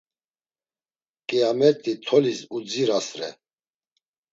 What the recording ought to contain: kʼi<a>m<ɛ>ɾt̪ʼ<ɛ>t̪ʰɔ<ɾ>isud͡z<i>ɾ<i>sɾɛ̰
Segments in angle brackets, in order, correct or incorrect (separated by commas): correct, correct, incorrect, incorrect, correct, incorrect